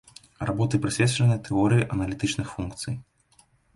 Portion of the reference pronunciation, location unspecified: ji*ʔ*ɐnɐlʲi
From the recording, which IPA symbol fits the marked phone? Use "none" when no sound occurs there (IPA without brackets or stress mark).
ʔ